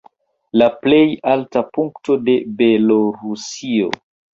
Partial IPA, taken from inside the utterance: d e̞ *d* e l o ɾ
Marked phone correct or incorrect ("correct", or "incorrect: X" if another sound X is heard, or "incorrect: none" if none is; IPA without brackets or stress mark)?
incorrect: b